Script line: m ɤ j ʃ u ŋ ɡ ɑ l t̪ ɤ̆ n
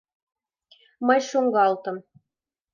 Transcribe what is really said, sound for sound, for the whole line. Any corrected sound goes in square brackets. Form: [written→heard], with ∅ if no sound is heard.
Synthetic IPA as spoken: m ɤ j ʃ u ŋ ɡ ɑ l t̪ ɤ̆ [n→m]